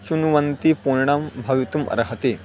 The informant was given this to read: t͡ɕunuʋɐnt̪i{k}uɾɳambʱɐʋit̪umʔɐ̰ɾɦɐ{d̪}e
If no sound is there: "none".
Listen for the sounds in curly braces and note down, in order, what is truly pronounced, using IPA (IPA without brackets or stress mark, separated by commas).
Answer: p, t̪